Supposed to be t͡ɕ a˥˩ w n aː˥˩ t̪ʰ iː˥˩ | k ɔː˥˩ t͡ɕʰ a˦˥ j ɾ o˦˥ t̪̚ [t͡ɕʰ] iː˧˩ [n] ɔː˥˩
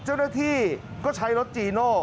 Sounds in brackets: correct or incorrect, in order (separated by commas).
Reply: incorrect, correct